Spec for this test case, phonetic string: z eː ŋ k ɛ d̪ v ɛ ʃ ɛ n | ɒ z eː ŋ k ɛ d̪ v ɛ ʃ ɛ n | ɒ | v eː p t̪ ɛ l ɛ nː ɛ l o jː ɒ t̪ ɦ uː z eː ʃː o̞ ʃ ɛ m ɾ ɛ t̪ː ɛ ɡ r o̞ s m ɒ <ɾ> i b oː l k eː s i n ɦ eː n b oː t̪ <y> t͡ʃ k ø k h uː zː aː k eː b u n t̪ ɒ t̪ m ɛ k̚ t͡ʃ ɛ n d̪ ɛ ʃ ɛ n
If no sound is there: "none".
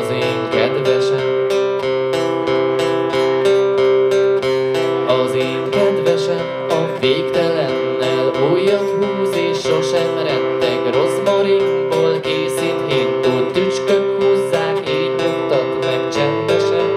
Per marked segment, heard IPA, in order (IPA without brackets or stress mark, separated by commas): ɾ, y